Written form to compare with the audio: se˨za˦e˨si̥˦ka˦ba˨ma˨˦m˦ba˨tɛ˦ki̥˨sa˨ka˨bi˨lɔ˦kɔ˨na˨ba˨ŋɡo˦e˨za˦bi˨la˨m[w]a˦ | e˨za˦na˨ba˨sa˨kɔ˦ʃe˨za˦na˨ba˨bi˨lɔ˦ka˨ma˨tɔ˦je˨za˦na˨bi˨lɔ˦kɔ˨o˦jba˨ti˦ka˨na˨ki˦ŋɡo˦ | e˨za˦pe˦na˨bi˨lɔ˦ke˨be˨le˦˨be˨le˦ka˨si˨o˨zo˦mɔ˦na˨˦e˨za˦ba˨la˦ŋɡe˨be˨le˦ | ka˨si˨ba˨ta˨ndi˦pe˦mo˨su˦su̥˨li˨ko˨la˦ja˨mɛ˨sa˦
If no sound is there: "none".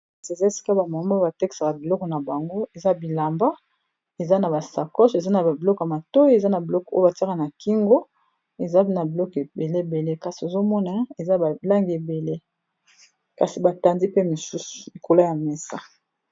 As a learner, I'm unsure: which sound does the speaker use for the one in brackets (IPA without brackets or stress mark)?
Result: b